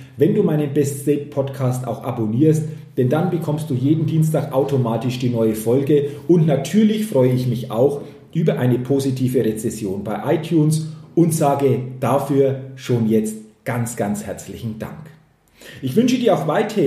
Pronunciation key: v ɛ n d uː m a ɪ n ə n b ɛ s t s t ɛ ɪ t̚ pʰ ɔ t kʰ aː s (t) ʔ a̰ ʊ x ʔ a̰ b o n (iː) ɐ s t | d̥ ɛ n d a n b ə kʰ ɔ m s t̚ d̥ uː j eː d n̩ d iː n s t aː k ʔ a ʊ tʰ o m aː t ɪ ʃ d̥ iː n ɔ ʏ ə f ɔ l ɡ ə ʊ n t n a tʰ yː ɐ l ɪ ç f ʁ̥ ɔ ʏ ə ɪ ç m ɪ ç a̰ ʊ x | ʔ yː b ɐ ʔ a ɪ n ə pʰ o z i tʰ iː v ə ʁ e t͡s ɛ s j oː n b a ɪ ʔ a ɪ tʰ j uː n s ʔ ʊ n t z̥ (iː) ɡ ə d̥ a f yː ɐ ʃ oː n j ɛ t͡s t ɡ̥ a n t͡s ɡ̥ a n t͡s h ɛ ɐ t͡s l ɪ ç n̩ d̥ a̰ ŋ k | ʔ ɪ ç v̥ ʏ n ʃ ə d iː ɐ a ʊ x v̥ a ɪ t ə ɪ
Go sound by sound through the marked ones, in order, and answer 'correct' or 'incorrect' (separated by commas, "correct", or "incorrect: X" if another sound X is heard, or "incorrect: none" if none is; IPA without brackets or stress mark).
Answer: correct, correct, incorrect: aː